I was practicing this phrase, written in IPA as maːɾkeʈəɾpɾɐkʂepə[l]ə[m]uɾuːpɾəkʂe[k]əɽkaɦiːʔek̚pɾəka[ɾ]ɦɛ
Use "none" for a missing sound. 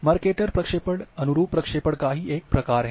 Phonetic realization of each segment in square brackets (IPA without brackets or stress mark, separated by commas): ɽ, n, p, ɾ